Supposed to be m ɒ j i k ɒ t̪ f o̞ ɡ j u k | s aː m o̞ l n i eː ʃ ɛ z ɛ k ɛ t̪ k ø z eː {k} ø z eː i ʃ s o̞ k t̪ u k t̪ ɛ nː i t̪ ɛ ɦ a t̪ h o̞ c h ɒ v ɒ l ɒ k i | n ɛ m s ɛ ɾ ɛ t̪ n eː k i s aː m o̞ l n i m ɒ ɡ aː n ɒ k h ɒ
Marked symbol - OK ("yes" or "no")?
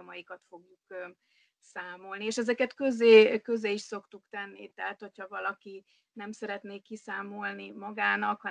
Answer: yes